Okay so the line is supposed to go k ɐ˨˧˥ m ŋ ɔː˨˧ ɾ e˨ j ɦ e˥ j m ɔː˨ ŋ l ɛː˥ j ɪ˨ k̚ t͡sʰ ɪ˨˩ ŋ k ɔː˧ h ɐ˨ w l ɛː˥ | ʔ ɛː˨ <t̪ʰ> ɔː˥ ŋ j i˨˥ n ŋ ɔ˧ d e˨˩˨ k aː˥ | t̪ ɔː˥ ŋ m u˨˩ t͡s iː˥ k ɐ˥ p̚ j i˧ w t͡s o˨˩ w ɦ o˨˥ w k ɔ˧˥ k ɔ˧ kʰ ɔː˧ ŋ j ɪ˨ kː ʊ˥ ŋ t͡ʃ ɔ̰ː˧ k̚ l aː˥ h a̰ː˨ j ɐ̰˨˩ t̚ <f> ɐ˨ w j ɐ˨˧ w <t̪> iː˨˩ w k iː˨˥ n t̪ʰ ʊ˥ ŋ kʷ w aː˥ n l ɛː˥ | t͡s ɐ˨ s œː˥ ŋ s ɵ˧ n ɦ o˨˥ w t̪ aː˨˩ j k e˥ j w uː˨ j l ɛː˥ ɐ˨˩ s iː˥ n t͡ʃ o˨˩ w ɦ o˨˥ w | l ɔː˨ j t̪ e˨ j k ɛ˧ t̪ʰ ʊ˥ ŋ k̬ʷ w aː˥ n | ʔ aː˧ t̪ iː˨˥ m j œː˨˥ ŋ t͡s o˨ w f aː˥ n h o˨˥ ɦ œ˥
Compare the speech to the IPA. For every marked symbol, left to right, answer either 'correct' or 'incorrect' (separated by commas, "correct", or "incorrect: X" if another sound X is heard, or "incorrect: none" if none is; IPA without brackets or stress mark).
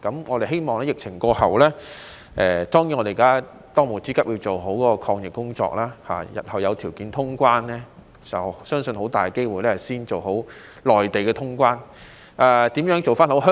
incorrect: t̪, incorrect: h, incorrect: t̪ʰ